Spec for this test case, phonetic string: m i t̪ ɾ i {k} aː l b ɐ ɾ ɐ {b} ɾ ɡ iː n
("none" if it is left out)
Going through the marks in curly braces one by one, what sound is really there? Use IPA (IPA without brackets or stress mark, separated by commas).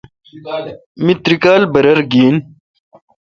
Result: k, none